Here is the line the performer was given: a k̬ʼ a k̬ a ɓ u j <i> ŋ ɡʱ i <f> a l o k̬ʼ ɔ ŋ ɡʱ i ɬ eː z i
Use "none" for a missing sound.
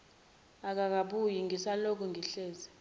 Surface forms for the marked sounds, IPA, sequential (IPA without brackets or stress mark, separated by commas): i, s